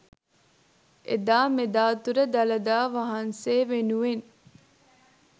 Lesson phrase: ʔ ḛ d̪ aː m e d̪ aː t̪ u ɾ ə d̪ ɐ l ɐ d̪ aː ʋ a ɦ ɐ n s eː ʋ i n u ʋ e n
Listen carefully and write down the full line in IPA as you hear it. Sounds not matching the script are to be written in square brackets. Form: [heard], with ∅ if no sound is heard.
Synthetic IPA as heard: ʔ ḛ d̪ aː m e d̪ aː t̪ u ɾ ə d̪ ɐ l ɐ d̪ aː ʋ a ɦ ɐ n s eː ʋ [e] n u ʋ e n